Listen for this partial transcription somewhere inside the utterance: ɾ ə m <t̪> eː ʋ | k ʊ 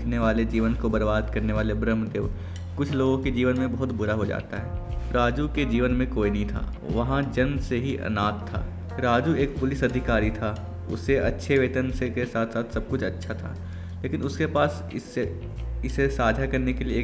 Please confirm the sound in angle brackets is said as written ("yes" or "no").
no